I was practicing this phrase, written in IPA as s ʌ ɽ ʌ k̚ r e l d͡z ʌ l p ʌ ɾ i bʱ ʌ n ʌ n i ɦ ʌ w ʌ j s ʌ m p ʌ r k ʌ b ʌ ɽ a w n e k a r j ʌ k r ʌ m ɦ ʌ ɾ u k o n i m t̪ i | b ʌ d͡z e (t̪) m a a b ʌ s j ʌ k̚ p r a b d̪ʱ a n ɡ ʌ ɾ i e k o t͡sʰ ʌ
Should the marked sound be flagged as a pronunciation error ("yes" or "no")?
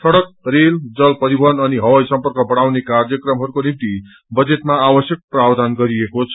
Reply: no